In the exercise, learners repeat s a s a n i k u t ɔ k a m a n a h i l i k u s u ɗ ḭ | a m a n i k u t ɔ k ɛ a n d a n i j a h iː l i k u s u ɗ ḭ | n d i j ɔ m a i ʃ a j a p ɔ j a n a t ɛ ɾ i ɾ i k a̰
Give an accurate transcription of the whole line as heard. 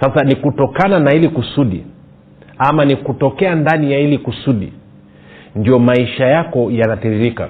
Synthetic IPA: s a s a n i k u t ɔ k a n a n a h i l i k u s u ɗ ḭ | a m a n i k u t ɔ k ɛ a n d a n i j a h i l i k u s u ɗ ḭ | n d i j ɔ m a i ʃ a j a k ɔ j a n a t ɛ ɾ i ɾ i k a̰